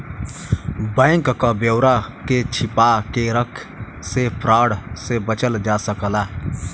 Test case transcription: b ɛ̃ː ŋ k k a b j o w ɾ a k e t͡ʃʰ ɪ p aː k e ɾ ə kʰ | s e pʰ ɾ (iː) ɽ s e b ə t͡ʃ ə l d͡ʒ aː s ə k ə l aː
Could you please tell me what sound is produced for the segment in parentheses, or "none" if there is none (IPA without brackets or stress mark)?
aː